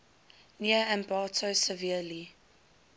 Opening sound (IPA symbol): n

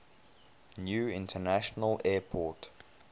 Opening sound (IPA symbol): n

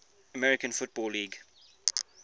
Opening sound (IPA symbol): ə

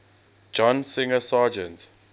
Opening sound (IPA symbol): d͡ʒ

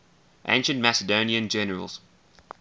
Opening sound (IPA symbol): ʔ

